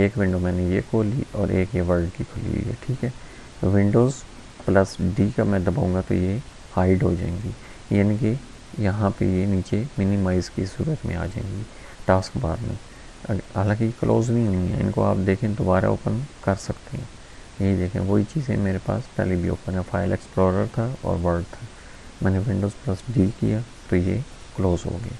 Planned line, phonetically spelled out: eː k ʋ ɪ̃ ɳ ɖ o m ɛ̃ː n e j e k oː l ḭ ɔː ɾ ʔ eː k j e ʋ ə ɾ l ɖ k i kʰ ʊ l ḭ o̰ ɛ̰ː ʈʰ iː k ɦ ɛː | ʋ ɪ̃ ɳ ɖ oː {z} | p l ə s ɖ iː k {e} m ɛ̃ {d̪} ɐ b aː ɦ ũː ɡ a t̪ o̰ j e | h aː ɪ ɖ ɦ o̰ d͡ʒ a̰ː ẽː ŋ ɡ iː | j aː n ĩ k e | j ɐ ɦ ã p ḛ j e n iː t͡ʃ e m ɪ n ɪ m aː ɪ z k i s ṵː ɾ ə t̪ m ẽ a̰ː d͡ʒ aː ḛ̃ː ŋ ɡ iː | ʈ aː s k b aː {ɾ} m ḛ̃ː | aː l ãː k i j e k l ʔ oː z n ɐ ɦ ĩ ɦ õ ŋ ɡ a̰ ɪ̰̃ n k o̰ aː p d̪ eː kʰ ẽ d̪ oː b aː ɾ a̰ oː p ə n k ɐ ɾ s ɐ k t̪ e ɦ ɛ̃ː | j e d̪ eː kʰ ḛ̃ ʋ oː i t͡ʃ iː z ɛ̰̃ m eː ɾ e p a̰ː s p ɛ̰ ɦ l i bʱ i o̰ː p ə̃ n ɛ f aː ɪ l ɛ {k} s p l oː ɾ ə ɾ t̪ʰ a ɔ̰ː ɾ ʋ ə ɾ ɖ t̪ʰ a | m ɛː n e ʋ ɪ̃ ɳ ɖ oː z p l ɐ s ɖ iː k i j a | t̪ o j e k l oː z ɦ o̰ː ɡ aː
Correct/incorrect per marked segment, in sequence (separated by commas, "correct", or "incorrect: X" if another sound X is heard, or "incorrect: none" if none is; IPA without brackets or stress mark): correct, incorrect: a, correct, correct, correct